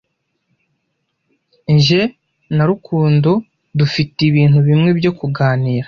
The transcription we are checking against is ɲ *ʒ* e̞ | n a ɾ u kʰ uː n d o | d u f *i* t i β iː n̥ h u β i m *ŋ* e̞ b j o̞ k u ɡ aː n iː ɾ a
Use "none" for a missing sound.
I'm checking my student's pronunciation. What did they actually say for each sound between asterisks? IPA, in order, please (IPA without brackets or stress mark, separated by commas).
ʒ, i, ŋ